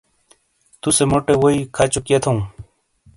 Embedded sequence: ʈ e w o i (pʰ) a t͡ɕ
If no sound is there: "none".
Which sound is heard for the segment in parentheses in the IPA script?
kʰ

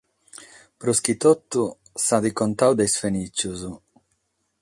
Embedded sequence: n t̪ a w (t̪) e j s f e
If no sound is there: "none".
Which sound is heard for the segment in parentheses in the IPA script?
d̪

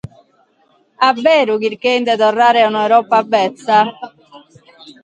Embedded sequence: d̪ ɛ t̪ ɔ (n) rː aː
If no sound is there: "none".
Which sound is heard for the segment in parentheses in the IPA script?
none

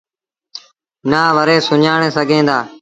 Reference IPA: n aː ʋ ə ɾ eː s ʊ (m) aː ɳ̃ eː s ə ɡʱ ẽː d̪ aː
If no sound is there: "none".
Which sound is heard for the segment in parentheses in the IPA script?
ɲ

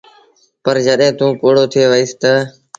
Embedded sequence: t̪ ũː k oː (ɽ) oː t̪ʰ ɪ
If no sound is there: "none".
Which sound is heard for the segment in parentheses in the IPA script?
ɽ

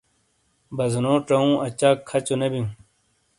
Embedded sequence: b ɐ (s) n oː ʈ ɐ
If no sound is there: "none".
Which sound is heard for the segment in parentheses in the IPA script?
z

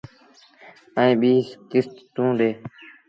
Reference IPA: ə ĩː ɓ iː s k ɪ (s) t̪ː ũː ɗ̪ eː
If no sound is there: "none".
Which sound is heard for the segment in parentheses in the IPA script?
s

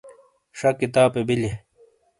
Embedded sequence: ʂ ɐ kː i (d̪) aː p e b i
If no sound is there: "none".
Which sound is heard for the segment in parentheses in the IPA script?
t̪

